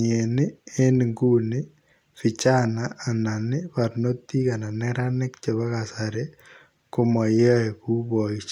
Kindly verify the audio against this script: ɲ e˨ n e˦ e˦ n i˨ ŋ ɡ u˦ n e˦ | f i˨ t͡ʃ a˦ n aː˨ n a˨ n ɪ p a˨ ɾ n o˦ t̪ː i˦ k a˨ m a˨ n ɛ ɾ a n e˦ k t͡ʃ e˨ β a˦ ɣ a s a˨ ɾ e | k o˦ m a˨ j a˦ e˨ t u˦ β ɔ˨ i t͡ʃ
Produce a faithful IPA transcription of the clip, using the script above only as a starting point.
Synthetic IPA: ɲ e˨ n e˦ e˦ n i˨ ŋ ɡ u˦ n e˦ | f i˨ t͡ʃ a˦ n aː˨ n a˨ n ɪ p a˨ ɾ n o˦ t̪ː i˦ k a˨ n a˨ n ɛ ɾ a n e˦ k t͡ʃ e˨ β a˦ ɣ a s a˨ ɾ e | k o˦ m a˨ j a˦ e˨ k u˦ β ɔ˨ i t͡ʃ